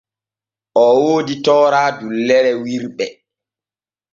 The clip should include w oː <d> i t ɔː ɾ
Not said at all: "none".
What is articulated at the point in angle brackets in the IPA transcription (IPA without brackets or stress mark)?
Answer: d